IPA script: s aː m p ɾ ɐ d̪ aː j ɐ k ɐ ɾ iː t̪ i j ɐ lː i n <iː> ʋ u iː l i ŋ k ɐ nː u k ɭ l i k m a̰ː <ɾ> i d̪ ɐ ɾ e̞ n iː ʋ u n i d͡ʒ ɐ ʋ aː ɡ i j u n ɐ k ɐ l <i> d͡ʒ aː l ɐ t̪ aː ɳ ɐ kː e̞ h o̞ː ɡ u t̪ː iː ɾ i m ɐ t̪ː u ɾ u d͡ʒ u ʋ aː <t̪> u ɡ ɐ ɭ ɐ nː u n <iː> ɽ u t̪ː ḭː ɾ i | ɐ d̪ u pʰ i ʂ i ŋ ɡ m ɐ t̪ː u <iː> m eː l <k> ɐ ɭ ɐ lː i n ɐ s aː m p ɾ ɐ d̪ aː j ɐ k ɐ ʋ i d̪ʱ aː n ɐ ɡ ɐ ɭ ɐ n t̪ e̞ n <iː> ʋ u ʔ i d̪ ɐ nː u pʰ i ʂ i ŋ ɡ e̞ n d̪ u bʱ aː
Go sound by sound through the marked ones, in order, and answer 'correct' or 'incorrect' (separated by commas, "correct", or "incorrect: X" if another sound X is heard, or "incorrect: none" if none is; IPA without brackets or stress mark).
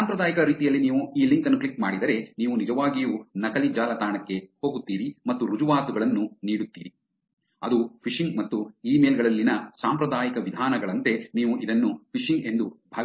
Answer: correct, incorrect: ɽ, correct, correct, correct, correct, incorrect: ɡ, correct